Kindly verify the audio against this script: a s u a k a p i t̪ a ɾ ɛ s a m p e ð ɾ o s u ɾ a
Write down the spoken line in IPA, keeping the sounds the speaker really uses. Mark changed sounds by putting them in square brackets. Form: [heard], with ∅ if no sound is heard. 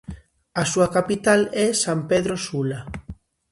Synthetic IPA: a s u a k a p i t̪ a [l] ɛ s a m p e ð ɾ o s u [l] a